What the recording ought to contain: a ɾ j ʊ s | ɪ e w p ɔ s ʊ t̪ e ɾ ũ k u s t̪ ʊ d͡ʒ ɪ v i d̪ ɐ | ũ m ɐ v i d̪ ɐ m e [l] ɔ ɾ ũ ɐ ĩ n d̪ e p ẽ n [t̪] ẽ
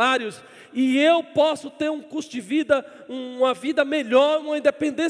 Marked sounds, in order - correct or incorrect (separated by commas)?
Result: incorrect, incorrect